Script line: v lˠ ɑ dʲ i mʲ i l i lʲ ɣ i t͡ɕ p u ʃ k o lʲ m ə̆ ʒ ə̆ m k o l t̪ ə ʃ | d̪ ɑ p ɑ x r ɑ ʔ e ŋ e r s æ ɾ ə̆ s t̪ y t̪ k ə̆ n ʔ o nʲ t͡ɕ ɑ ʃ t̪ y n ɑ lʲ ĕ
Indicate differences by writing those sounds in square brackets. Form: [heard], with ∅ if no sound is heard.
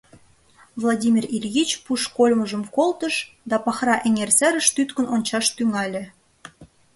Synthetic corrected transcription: v lˠ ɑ dʲ i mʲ i [r] i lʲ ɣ i t͡ɕ p u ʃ k o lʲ m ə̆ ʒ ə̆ m k o l t̪ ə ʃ | d̪ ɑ p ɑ x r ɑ ʔ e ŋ e r s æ ɾ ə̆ [ʃ] t̪ y t̪ k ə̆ n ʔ o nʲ t͡ɕ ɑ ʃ t̪ y [ŋ] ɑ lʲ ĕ